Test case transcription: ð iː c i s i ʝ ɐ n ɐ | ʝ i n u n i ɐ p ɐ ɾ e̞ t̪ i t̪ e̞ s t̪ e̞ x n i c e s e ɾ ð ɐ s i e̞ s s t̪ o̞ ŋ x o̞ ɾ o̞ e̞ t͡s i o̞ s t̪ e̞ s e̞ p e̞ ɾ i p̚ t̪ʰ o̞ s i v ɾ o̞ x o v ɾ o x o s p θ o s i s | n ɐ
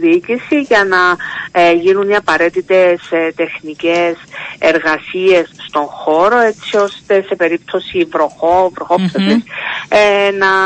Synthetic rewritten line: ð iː c i s i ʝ ɐ n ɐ | ʝ i n u n i ɐ p ɐ ɾ e̞ t̪ i t̪ e̞ s t̪ e̞ x n i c e s e ɾ ɣ ɐ s i e̞ s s t̪ o̞ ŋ x o̞ ɾ o̞ e̞ t͡s i o̞ s t̪ e̞ s e̞ p e̞ ɾ i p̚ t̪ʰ o̞ s i v ɾ o̞ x o v ɾ o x o p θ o s i s | n ɐ